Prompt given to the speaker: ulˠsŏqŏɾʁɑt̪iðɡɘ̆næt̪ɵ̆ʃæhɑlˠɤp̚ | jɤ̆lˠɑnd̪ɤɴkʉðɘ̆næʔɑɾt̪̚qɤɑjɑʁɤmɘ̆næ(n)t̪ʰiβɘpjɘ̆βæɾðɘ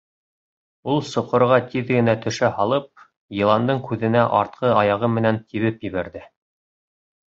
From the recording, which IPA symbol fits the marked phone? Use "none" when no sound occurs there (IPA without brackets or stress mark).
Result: n